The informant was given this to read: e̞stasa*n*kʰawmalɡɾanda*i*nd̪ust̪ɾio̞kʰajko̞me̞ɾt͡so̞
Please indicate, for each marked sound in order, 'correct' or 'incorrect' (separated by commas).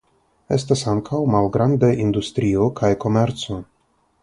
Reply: incorrect, correct